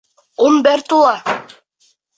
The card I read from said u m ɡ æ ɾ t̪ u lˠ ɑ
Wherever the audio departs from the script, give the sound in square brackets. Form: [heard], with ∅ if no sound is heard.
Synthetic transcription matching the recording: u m [b] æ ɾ t̪ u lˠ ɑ